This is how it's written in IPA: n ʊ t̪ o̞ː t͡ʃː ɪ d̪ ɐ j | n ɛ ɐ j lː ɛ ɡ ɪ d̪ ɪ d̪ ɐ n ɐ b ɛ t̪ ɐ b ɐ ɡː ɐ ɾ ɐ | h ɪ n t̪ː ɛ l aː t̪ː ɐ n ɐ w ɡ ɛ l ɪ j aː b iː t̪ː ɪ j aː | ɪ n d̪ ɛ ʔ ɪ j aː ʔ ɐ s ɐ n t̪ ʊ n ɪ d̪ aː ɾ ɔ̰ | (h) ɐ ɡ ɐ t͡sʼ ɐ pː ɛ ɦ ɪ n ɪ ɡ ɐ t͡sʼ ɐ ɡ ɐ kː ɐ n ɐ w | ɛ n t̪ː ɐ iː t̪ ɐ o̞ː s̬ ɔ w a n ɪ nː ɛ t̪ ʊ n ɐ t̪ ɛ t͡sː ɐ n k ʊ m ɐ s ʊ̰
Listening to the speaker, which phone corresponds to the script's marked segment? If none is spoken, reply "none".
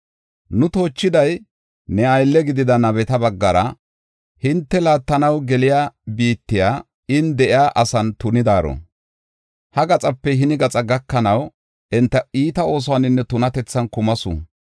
h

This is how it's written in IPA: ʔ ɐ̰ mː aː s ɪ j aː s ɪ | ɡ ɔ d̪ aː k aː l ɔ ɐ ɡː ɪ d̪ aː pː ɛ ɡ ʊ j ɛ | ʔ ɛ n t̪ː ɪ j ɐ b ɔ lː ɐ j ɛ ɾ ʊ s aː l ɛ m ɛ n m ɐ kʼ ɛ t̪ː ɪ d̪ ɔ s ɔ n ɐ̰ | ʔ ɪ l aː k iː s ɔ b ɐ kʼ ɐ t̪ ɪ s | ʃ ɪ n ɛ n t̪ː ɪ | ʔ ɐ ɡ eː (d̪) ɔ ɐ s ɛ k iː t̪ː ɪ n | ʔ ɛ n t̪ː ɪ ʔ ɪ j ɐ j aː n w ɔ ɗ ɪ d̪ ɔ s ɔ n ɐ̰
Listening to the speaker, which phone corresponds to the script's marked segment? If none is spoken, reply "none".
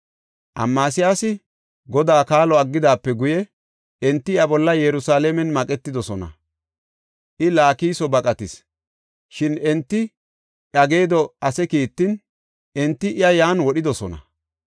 d̪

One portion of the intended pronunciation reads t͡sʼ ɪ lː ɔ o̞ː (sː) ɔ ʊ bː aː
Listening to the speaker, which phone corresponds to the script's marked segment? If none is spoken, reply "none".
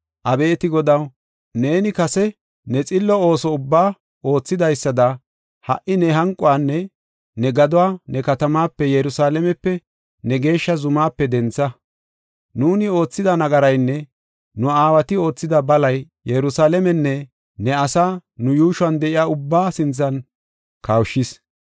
s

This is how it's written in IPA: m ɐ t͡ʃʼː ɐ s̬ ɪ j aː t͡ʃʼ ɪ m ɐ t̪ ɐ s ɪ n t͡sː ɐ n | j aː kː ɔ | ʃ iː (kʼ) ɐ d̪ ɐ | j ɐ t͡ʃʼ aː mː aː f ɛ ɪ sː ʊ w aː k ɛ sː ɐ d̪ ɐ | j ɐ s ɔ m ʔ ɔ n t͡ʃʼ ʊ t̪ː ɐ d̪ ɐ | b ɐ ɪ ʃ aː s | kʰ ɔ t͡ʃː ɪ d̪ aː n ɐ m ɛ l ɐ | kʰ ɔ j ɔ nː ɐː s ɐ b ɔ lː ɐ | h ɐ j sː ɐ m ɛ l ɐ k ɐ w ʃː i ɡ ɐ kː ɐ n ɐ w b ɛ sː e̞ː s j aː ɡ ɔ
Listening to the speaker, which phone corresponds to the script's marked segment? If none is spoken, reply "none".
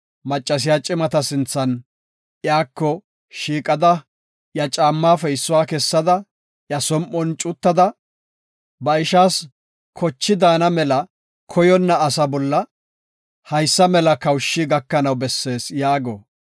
kʼ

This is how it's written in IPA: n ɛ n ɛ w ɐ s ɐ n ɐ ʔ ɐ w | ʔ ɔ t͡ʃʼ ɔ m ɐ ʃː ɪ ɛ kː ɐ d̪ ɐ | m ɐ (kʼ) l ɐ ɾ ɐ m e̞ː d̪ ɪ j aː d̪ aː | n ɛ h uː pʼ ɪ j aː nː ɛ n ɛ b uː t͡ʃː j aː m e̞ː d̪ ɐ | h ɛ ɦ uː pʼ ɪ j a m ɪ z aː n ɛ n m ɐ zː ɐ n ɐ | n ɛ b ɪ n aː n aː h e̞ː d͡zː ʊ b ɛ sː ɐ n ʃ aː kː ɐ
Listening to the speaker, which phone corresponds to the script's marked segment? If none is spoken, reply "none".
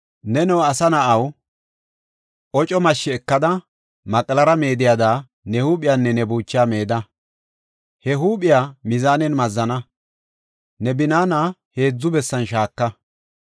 kʼ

